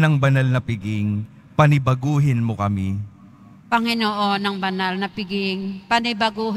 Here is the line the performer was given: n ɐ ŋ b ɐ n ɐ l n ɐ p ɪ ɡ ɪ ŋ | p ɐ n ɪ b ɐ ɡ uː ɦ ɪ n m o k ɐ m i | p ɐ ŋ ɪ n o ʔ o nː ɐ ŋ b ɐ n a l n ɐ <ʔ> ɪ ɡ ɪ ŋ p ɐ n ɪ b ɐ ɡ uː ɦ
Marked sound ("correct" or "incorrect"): incorrect